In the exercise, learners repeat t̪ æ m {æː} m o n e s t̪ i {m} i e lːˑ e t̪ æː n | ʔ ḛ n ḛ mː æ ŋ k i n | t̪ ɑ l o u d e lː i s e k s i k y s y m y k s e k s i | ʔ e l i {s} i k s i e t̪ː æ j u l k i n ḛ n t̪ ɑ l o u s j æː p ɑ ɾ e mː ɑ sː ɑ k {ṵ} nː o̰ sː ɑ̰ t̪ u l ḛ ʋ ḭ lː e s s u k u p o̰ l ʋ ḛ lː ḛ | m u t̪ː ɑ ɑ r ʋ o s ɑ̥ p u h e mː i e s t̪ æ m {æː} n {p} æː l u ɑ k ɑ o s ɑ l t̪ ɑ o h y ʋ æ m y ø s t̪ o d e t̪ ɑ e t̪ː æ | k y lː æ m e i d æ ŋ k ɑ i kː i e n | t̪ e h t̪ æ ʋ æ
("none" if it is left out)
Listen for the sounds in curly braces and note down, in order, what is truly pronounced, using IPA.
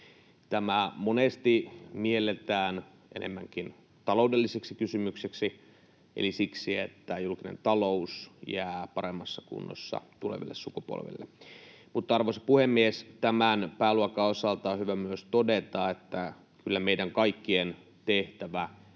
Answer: æ, m, s, ṵ, æ, p

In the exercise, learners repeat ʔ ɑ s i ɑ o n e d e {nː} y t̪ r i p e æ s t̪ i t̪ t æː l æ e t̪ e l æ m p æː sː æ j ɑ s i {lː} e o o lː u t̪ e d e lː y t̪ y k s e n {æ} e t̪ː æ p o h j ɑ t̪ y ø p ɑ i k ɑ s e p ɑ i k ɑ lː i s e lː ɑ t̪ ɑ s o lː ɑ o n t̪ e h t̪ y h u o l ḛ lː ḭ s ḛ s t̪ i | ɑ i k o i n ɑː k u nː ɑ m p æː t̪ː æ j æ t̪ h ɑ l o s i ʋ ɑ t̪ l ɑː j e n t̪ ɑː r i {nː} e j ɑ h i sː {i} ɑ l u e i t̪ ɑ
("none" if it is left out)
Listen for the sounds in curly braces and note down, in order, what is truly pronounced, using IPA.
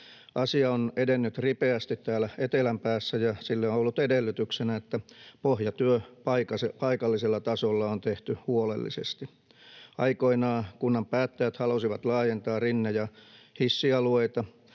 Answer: nː, lː, æ, nː, i

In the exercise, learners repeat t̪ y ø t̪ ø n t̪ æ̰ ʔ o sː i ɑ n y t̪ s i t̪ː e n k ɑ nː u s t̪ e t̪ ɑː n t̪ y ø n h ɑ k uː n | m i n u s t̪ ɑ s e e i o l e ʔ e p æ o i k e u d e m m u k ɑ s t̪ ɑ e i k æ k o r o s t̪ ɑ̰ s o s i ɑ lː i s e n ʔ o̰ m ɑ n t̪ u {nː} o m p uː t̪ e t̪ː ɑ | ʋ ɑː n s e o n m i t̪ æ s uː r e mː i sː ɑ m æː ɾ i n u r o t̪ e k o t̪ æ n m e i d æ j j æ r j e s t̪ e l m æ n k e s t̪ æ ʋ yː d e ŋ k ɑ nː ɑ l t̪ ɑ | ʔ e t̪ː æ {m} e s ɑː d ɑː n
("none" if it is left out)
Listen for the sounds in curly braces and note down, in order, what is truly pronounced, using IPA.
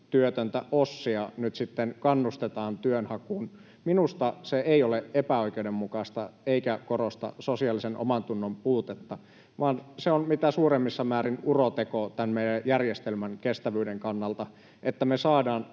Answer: nː, m

